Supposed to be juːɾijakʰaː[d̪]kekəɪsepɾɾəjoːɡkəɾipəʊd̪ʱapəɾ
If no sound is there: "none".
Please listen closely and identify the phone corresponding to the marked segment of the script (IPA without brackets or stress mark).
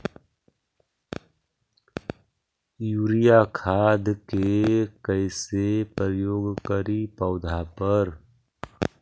d̪